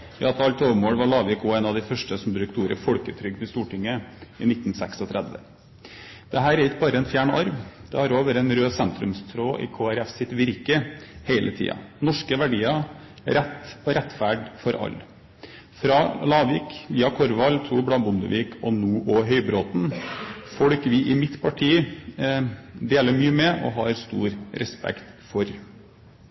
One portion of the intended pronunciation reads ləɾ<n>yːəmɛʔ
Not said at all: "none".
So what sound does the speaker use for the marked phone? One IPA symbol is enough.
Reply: m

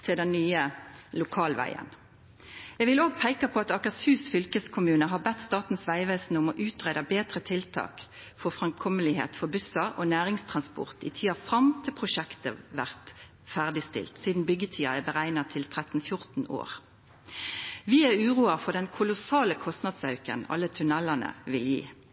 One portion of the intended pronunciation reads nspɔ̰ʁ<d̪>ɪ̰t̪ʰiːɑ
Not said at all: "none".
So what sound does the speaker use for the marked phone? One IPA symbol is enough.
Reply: t̪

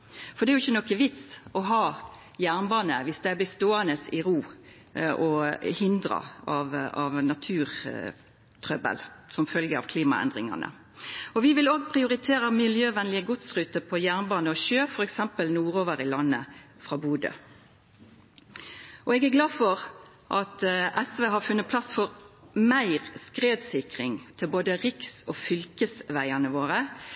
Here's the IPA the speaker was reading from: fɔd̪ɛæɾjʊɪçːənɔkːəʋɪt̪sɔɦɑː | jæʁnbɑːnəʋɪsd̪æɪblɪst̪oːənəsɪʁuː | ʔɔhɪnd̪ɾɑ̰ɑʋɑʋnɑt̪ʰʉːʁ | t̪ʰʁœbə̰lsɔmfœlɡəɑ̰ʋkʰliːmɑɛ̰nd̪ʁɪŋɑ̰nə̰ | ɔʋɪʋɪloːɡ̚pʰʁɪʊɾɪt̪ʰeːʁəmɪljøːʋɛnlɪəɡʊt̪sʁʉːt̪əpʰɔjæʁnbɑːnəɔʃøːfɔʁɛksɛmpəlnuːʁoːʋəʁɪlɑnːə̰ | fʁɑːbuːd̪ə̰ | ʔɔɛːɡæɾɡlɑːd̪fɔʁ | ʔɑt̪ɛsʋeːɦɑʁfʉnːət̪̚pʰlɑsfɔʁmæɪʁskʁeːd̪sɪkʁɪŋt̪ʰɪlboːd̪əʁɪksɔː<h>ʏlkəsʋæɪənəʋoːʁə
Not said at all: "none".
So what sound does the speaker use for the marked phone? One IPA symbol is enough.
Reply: f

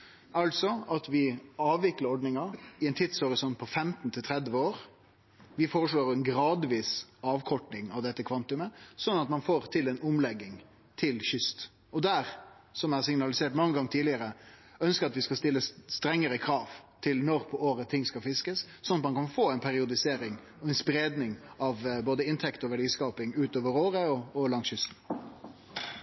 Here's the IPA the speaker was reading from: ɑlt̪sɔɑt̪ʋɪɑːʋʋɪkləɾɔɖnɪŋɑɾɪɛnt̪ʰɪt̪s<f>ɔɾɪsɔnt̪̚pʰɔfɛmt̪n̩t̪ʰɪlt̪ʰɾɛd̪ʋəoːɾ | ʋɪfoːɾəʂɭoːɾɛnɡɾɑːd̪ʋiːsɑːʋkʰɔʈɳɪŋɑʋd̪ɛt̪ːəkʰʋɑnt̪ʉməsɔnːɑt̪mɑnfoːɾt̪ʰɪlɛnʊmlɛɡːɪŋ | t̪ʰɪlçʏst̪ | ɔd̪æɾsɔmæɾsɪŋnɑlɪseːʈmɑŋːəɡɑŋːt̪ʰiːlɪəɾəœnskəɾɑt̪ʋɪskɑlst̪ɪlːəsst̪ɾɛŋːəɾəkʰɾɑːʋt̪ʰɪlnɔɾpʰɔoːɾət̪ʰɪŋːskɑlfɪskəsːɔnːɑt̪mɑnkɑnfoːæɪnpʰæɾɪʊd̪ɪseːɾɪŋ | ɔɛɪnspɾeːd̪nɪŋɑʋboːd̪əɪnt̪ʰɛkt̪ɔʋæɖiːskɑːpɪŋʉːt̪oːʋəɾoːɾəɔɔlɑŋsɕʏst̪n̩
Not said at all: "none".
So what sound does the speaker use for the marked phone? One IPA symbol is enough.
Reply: h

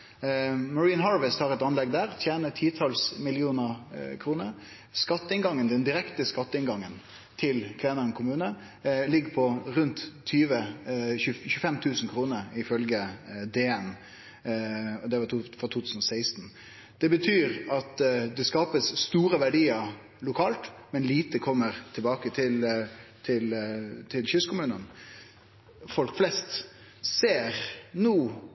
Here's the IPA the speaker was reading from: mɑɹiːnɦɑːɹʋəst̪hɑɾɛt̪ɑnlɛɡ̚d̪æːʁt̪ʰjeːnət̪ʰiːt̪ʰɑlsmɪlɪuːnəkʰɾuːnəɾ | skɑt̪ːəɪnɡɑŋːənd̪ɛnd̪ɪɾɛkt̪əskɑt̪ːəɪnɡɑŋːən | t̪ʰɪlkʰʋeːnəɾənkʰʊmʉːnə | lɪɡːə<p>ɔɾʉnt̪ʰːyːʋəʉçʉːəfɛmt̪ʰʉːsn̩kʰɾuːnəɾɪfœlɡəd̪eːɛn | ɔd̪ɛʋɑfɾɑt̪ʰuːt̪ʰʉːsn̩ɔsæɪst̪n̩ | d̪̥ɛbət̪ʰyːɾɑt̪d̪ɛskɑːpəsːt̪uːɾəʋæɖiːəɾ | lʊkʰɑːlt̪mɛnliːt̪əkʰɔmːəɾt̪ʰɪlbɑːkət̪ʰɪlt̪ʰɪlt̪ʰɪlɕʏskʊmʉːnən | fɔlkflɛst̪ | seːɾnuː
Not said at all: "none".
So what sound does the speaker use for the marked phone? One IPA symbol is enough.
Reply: pʰ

